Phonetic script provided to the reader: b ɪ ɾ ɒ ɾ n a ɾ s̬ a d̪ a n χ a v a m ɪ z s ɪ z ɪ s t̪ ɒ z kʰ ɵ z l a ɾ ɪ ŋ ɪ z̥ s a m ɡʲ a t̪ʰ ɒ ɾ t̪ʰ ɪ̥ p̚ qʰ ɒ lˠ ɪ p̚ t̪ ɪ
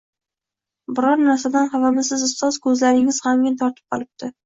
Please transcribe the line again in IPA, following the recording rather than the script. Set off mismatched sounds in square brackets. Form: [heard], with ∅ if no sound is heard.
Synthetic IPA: b ɪ ɾ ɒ ɾ n a ɾ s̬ a d̪ a n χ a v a m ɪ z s ɪ z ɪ s t̪ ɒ z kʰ ɵ z l a ɾ ɪ ŋ ɪ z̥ [h] a m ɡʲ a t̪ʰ ɒ ɾ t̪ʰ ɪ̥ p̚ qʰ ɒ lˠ ɪ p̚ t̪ ɪ